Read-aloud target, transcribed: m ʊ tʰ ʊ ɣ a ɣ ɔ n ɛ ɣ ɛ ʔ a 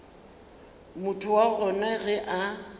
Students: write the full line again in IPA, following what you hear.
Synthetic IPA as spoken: m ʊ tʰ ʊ w a ɣ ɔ n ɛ ɣ ɛ ʔ a